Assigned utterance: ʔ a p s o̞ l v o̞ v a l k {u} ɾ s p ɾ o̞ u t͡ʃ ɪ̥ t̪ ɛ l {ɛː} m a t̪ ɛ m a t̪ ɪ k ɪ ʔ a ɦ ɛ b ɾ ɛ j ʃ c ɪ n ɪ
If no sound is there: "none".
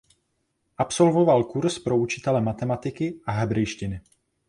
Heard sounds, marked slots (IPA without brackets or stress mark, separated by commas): u, ɛ